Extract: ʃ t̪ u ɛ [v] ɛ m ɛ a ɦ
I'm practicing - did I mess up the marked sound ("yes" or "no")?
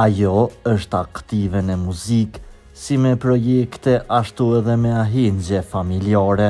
yes